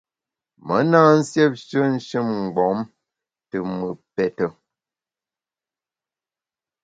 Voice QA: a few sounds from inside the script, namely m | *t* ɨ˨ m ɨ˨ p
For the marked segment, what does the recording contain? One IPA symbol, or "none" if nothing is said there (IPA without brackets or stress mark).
t